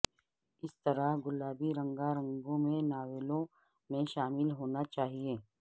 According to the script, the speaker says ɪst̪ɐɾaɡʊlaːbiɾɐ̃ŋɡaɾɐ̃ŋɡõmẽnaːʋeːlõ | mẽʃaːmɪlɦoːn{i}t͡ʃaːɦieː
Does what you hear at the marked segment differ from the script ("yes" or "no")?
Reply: yes